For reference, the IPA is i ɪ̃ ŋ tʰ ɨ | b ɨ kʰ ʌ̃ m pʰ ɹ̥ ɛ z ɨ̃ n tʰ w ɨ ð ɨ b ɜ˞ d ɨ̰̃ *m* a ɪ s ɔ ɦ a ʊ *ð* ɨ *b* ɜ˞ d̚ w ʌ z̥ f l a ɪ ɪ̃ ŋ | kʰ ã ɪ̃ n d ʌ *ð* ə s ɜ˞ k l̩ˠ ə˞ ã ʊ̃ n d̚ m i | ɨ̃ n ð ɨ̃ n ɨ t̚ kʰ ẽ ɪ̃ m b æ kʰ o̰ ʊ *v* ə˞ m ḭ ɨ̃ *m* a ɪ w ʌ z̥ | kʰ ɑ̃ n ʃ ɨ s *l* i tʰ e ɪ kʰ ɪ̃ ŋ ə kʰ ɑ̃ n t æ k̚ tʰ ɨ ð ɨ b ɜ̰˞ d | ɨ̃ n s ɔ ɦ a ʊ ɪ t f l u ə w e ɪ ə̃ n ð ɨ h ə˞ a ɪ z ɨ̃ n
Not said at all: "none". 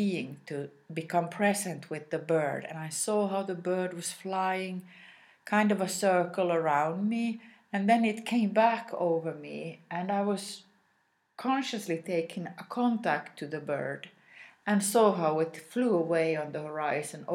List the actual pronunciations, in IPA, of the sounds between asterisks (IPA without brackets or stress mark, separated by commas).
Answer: n, ð, b, v, v, n, l